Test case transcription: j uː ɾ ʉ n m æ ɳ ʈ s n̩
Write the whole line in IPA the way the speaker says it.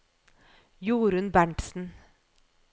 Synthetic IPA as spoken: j uː ɾ ʉ n b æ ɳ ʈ s n̩